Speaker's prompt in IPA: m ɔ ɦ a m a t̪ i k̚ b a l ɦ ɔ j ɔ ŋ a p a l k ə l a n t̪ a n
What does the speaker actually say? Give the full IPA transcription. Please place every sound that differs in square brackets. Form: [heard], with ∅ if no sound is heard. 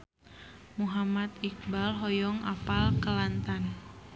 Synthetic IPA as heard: m [u] ɦ a m a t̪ i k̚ b a l ɦ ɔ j ɔ ŋ a p a l k ə l a n t̪ a n